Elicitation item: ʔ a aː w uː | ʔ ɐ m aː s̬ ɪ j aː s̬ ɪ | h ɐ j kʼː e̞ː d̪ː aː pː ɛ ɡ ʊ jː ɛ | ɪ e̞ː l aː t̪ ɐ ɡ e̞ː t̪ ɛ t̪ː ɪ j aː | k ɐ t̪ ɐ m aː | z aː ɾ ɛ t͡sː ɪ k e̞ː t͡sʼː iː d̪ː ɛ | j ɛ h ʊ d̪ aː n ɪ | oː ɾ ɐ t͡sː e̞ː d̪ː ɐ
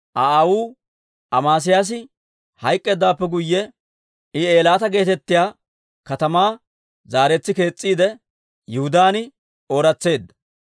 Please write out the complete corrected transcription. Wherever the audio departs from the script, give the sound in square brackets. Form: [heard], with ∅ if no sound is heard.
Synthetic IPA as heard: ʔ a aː w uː | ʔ ɐ m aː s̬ ɪ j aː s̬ ɪ | h ɐ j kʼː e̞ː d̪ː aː pː ɛ ɡ ʊ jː ɛ | ɪ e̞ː l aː t̪ ɐ ɡ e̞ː t̪ ɛ t̪ː ɪ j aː | k ɐ t̪ ɐ m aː | z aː ɾ ɛ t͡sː ɪ k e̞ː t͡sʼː iː [d̪] ɛ | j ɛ h ʊ d̪ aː n ɪ | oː ɾ ɐ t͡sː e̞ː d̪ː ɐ